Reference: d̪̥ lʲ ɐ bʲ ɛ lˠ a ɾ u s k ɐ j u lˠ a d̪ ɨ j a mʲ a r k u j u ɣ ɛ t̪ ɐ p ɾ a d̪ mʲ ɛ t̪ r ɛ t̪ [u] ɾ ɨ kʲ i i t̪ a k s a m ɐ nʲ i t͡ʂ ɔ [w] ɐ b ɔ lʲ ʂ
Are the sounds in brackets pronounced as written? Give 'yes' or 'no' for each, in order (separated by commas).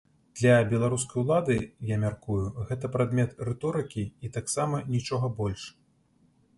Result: no, no